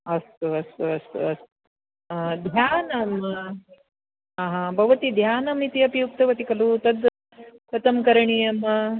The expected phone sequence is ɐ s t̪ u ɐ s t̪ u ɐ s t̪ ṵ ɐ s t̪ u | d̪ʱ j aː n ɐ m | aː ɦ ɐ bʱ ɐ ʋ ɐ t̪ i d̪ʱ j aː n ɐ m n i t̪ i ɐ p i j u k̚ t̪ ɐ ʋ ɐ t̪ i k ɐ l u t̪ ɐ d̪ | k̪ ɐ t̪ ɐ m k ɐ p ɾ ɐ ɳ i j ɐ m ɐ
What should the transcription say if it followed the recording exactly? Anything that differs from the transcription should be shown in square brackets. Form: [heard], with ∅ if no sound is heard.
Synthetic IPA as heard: ɐ s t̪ u ɐ s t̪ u ɐ s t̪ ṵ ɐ s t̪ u | d̪ʱ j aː n ɐ m | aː ɦ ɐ bʱ ɐ ʋ ɐ t̪ i d̪ʱ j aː n ɐ m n i t̪ i ɐ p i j u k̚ t̪ ɐ ʋ ɐ t̪ i k ɐ l u t̪ ɐ d̪ | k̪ ɐ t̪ ɐ m k ɐ [∅] ɾ ɐ ɳ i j ɐ m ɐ